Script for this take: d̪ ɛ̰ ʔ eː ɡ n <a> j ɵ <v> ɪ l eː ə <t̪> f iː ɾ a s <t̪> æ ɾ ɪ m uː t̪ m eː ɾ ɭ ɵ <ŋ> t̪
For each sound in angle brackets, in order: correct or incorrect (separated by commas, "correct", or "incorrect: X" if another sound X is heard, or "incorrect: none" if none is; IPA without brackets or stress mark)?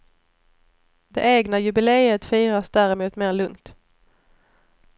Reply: correct, incorrect: b, correct, incorrect: d̪, correct